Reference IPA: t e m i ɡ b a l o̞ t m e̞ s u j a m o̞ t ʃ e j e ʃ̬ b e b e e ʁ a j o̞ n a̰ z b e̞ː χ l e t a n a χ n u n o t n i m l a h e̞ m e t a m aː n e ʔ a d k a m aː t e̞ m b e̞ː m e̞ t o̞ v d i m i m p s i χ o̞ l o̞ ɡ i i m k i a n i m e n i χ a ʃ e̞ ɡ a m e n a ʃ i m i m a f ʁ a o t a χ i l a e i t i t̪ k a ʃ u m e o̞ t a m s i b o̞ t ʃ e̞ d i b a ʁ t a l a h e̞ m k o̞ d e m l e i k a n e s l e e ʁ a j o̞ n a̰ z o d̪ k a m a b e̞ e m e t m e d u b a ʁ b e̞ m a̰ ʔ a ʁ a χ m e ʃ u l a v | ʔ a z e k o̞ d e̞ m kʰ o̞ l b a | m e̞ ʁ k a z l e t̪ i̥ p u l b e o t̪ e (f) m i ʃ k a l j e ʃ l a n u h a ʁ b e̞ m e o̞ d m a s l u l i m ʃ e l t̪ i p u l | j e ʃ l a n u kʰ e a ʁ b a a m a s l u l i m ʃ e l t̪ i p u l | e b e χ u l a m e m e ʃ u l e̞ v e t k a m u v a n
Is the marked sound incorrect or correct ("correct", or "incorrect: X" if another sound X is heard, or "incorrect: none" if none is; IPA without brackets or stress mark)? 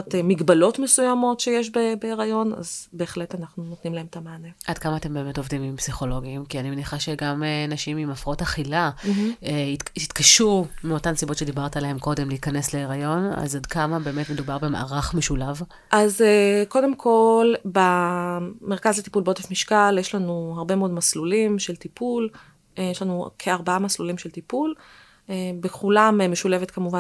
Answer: correct